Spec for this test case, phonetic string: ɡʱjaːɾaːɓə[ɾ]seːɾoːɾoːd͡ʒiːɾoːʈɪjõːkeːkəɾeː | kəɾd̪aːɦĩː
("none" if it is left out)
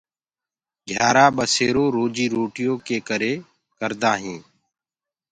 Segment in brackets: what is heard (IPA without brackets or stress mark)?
none